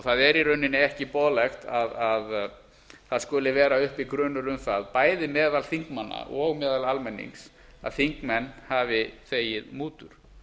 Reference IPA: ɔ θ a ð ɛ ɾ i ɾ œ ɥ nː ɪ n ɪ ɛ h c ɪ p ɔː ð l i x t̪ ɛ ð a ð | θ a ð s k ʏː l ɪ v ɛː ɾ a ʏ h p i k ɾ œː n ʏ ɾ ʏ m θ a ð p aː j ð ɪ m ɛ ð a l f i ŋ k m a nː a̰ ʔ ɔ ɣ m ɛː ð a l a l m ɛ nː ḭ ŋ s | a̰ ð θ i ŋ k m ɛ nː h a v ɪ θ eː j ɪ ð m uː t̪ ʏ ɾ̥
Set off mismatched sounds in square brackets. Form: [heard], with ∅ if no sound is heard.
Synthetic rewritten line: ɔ θ a ð ɛ ɾ i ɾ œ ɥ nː ɪ n ɪ ɛ h c ɪ p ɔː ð l [ɛ] x t̪ [a] ð a ð | θ a ð s k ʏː l ɪ v ɛː ɾ a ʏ h p i k ɾ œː n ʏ ɾ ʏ m θ a ð p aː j ð ɪ m [ɛː] ð a l [θ] i ŋ k m a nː a̰ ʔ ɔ ɣ m ɛː ð a l a l m ɛ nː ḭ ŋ s | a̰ ð θ i ŋ k m ɛ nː h a v ɪ θ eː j ɪ ð m uː t̪ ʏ ɾ̥